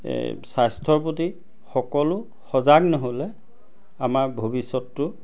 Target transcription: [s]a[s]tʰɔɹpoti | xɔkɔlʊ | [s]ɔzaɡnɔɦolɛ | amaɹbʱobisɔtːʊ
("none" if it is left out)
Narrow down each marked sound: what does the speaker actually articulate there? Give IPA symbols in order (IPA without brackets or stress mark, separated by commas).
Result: s, s, x